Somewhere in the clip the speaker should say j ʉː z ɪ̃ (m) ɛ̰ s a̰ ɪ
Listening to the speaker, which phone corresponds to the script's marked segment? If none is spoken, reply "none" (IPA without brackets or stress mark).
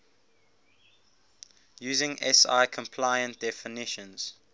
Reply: ŋ